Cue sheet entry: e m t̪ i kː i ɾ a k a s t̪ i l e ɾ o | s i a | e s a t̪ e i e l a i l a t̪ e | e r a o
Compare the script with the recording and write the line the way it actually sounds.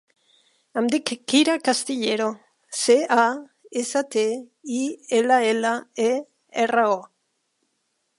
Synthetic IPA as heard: a m d̪ i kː i ɾ a k a s t̪ i ʎ e ɾ o | s e a | e s a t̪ e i e l a e l a e | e r a o